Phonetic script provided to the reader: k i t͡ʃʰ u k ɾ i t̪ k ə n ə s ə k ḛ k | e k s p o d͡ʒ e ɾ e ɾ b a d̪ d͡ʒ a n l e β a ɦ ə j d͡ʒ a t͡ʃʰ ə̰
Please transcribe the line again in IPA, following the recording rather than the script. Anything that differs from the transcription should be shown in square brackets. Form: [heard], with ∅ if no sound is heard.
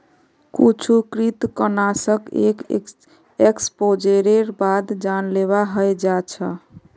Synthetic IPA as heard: k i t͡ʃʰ u k ɾ i t̪ k ə n [a] s ə k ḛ k | e k s p o d͡ʒ e ɾ e ɾ b a d̪ d͡ʒ a n l e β a ɦ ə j d͡ʒ a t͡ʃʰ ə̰

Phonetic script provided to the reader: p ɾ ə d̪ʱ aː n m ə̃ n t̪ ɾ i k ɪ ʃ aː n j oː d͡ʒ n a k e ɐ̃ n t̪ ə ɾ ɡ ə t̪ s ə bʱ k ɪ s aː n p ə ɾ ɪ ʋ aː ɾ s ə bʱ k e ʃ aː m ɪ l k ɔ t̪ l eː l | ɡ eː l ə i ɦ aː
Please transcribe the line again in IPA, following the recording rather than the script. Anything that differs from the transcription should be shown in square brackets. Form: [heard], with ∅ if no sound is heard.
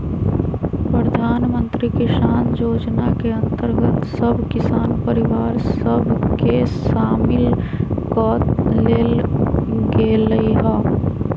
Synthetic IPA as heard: p ɾ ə d̪ʱ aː n m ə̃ n t̪ ɾ i k ɪ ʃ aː n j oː d͡ʒ n a k e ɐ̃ n t̪ ə ɾ ɡ ə t̪ s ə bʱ k ɪ s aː n p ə ɾ ɪ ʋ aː ɾ s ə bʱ k e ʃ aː m ɪ l k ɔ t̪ l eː l | ɡ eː l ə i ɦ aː

